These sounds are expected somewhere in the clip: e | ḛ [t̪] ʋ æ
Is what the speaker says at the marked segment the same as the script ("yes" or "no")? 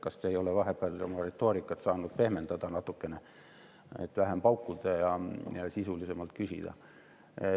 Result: yes